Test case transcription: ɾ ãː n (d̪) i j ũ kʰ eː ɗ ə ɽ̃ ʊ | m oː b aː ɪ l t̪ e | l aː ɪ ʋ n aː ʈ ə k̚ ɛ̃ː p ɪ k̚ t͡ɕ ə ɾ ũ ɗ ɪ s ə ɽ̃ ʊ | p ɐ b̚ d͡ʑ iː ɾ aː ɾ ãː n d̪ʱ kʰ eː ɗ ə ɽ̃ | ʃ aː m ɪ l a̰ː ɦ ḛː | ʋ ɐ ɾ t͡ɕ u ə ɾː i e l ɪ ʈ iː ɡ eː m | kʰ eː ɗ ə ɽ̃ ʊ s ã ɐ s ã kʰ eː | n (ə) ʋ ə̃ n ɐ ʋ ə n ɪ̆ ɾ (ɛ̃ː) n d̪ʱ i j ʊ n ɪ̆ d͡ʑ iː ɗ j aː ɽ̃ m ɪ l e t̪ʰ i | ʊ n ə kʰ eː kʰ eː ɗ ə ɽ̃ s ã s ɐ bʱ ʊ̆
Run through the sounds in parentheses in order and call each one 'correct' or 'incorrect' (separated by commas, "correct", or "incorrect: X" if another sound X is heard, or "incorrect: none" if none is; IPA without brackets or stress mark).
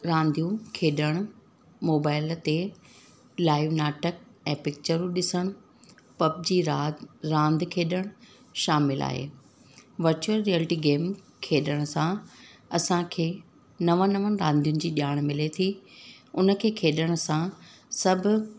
correct, incorrect: ɐ, incorrect: ãː